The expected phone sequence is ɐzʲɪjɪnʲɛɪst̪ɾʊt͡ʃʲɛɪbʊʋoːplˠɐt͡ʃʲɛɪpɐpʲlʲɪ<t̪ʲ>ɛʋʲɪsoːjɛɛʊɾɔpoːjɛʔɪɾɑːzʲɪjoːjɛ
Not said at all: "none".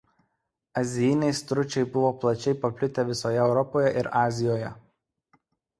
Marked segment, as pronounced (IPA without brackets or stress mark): t̪ʲ